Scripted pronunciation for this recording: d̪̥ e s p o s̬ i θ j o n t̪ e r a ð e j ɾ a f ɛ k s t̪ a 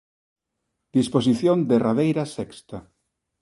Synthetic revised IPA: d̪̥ i s p o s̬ i θ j o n d̪ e r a ð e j ɾ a s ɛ k s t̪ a